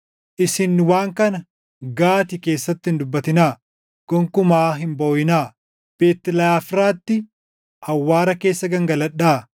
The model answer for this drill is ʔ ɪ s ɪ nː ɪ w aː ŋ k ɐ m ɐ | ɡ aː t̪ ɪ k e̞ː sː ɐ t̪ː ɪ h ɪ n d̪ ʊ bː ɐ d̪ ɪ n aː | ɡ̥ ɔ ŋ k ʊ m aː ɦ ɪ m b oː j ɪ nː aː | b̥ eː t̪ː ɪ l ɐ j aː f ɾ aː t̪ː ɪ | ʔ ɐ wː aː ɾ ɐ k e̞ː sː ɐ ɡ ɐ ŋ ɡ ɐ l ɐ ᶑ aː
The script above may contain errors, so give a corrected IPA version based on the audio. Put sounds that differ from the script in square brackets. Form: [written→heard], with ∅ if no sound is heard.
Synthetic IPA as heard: ʔ ɪ s ɪ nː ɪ w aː ŋ k ɐ [m→n] ɐ | ɡ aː t̪ ɪ k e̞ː sː ɐ t̪ː ɪ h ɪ n d̪ ʊ bː ɐ [d̪→t̪] ɪ n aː | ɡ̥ ɔ ŋ k ʊ m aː ɦ ɪ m b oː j ɪ [nː→n] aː | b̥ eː t̪ː ɪ l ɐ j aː f ɾ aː t̪ː ɪ | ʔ ɐ wː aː ɾ ɐ k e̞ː sː ɐ ɡ ɐ ŋ ɡ ɐ l ɐ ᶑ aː